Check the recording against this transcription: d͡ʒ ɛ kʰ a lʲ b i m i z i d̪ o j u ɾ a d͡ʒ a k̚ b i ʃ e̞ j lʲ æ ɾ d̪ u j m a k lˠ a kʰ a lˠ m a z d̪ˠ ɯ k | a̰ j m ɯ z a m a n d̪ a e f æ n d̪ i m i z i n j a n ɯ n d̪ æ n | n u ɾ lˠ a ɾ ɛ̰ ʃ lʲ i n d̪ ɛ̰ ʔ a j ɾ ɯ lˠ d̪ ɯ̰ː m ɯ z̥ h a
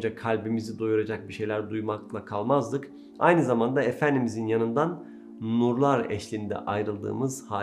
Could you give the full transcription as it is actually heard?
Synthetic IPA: d͡ʒ a kʰ a lʲ b i m i z i d̪ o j u ɾ a d͡ʒ a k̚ b i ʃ e̞ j lʲ æ ɾ d̪ u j m a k lˠ a kʰ a lˠ m a z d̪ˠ ɯ k | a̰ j n ɯ z a m a n d̪ a e f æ n d̪ i m i z i n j a n ɯ n d̪ a n | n u ɾ lˠ a ɾ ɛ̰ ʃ lʲ i n d̪ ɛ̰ ʔ a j ɾ ɯ lˠ d̪ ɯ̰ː m ɯ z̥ h a